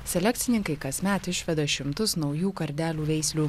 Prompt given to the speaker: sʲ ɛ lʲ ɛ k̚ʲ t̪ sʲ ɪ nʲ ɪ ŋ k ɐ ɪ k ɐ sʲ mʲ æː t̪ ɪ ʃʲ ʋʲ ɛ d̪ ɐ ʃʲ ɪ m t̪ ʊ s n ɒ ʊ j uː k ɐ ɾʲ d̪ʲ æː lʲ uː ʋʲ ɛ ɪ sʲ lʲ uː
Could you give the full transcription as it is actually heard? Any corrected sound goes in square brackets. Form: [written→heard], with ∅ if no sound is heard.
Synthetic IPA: sʲ ɛ lʲ ɛ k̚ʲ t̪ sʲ ɪ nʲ ɪ ŋ k ɐ ɪ k ɐ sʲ mʲ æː t̪ ɪ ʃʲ ʋʲ ɛ d̪ ɐ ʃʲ ɪ m t̪ ʊ s n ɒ ʊ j uː k ɐ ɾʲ d̪ʲ æː lʲ uː ʋʲ ɛ ɪ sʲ lʲ uː